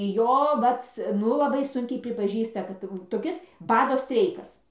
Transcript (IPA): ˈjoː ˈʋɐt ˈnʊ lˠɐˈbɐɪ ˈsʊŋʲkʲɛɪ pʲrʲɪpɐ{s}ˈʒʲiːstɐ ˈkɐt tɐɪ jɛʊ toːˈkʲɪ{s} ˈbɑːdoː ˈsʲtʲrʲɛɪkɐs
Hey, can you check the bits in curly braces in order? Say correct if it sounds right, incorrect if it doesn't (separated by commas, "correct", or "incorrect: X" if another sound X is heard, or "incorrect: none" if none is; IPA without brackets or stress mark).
incorrect: none, correct